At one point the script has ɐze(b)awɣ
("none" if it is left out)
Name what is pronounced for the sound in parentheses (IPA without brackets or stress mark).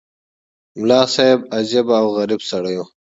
b